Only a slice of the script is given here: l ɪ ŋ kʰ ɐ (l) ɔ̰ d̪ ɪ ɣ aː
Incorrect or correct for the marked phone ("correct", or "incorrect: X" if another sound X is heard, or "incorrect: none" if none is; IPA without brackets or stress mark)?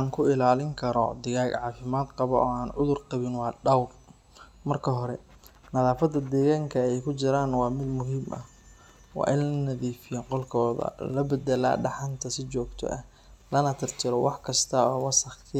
incorrect: ɾ